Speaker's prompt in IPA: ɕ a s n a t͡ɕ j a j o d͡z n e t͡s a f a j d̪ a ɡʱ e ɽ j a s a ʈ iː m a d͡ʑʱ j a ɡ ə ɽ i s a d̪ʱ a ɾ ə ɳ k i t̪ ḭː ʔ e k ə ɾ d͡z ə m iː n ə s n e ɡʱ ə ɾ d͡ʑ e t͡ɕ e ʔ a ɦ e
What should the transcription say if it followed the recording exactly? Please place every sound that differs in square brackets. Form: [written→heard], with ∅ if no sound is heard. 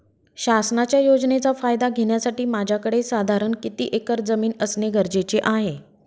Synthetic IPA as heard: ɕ a s n a t͡ɕ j a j o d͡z n e t͡s a f a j d̪ a ɡʱ e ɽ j a s a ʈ iː m a d͡ʑʱ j a [ɡ→k] ə ɽ [i→e] s a d̪ʱ a ɾ ə ɳ k i t̪ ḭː ʔ e k ə ɾ d͡z ə m iː n ə s n e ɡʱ ə ɾ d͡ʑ e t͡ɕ e ʔ a ɦ e